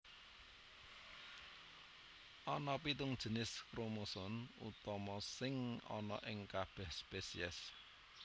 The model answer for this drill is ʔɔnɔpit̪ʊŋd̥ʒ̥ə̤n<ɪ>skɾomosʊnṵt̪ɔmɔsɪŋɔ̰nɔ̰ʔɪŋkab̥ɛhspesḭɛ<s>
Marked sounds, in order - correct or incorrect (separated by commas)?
correct, correct